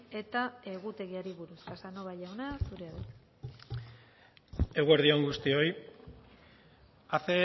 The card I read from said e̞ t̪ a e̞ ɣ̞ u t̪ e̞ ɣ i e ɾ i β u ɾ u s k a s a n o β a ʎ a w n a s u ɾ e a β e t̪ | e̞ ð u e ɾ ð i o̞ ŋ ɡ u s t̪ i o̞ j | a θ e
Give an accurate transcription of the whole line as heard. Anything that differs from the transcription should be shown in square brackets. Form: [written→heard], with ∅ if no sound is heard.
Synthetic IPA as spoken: e̞ t̪ a e̞ ɣ̞ u t̪ e̞ ɣ i [e→a] ɾ i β u ɾ u s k a s a n o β a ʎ a w n a s u ɾ e a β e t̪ | e̞ [ð→ɣ] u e ɾ ð i o̞ ŋ ɡ u s t̪ i o̞ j | a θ e